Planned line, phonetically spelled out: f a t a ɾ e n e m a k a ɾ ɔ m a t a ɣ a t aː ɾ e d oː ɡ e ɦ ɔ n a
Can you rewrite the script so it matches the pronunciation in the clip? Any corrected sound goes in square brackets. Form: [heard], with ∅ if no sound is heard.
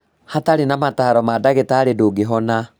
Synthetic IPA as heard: [h] a t a ɾ e n [a] m a [t] a ɾ ɔ m a [d] a ɣ [e] t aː ɾ e d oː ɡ e ɦ ɔ n a